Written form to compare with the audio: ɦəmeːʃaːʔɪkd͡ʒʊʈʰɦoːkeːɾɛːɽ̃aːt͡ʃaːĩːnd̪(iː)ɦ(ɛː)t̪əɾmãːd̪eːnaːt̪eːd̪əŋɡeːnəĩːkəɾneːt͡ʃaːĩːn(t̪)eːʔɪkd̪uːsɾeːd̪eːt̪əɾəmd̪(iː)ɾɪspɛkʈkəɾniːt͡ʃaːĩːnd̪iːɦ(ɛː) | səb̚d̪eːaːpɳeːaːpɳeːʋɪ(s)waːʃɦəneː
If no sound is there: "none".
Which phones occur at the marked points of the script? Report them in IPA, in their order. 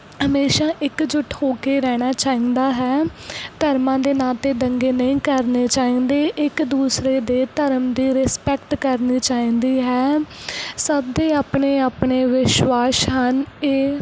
aː, ɛː, d̪, iː, ɛː, ʃ

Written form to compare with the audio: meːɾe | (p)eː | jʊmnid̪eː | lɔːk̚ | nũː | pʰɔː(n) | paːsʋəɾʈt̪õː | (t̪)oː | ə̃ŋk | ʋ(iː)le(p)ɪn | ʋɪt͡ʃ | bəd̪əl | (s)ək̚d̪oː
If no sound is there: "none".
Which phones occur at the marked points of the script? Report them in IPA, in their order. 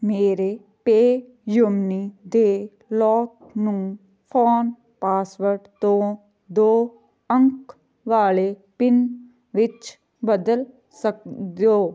p, n, d̪, aː, p, s

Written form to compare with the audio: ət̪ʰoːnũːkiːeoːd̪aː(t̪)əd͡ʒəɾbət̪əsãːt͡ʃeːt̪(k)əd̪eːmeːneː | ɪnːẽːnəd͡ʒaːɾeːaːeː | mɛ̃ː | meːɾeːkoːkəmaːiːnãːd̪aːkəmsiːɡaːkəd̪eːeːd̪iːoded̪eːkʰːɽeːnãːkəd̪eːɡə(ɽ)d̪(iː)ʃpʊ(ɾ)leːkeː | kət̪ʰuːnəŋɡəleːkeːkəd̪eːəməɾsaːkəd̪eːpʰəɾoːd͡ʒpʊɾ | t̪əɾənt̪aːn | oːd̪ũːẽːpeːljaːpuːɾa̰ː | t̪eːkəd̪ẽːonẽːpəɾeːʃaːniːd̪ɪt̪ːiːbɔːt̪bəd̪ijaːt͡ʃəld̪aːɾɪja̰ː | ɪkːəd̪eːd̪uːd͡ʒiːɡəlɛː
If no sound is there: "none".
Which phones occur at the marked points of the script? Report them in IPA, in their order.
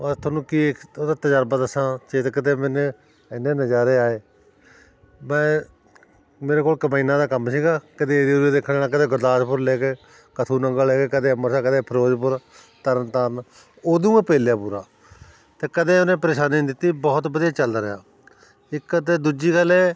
t̪, k, ɾ, aː, ɾ

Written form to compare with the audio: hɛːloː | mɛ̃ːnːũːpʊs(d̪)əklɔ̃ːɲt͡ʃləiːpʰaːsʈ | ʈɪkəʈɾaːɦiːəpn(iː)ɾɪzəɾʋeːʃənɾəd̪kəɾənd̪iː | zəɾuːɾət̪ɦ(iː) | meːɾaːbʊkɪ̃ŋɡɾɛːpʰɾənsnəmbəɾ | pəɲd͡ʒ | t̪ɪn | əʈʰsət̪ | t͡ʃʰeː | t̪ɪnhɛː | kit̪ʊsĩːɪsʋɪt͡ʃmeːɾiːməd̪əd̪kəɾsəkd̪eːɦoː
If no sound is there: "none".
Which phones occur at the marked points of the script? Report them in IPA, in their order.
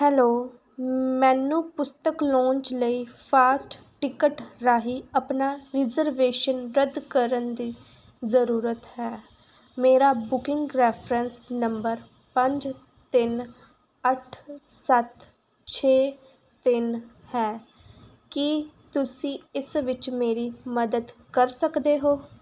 t̪, aː, ɛː

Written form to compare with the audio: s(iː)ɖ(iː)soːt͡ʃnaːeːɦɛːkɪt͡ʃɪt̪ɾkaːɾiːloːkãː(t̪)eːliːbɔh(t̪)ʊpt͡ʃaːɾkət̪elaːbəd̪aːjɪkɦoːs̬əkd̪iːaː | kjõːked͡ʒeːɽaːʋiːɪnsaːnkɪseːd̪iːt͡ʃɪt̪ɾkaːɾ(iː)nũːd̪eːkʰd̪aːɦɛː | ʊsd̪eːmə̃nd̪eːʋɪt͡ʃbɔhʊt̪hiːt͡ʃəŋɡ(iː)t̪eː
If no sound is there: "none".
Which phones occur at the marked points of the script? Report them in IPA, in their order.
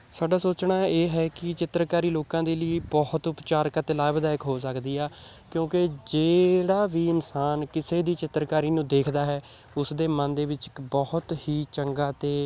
aː, aː, d̪, t̪, iː, aː

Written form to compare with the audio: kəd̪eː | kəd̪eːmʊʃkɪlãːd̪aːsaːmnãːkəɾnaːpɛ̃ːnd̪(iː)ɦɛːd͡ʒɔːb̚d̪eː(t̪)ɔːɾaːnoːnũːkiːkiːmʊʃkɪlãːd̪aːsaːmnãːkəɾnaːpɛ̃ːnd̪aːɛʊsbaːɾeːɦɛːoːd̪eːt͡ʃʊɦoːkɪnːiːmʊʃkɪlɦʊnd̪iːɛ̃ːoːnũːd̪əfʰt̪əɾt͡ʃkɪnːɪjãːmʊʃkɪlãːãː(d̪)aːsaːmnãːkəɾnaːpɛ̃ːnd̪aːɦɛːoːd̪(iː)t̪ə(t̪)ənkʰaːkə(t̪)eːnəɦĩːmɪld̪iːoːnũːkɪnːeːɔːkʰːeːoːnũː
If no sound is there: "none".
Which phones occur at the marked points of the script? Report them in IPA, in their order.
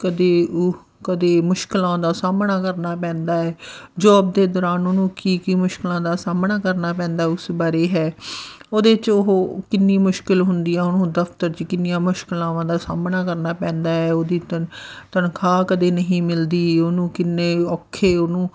aː, d̪, d̪, iː, t̪, d̪

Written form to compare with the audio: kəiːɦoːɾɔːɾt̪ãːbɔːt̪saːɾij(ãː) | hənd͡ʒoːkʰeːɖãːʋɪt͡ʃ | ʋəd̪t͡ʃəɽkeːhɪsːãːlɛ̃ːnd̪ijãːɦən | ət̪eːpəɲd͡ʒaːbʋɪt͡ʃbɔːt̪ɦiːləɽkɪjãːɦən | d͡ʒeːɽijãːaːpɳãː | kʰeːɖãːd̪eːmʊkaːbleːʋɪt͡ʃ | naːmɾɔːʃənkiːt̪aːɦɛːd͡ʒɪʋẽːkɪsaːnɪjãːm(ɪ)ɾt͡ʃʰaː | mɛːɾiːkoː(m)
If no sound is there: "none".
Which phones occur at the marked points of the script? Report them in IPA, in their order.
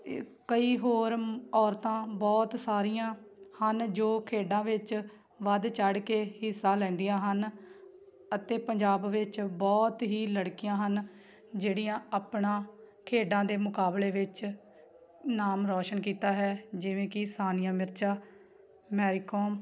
ãː, ɪ, m

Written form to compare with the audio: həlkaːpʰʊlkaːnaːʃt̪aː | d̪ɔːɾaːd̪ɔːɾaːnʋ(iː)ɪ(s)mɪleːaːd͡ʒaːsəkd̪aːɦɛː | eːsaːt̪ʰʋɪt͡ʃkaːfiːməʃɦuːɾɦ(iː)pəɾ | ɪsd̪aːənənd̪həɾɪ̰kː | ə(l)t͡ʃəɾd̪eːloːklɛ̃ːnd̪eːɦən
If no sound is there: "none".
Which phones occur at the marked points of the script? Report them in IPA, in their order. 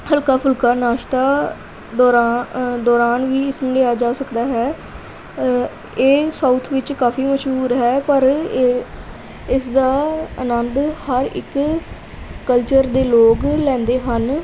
iː, s, ɛː, l

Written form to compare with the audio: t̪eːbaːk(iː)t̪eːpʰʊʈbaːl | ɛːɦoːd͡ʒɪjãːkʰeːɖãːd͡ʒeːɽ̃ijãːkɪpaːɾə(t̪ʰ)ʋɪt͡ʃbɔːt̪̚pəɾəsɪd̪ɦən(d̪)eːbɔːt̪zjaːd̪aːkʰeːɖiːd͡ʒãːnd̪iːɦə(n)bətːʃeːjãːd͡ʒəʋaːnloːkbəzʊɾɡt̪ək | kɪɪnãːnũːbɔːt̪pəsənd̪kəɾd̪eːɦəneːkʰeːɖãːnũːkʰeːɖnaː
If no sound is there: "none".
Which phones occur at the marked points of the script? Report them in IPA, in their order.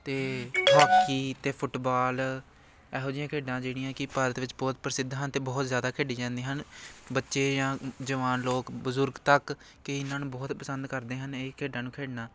iː, t̪, t̪, n

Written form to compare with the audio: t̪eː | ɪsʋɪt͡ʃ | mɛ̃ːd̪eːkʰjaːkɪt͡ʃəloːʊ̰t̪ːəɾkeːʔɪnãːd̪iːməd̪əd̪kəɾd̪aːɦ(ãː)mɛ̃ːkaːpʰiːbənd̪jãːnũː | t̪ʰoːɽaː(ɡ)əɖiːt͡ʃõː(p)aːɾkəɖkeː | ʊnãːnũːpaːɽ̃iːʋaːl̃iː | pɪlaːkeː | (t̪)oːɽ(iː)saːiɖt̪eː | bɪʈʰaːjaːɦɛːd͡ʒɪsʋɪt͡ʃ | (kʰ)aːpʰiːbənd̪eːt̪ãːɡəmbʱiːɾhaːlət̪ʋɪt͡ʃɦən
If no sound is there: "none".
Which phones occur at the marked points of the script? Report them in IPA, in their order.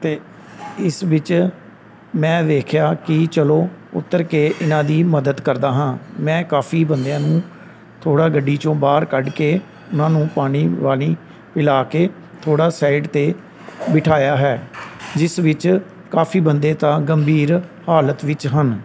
ãː, ɡ, b, t̪ʰ, aː, k

